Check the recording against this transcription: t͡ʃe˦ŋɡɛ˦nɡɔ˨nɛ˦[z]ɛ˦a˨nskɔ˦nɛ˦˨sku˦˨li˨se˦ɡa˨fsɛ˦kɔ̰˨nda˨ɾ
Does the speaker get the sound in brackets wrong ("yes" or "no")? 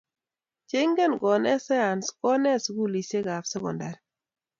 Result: yes